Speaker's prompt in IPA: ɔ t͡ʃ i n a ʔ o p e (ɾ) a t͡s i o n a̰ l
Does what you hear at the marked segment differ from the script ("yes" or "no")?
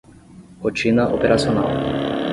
no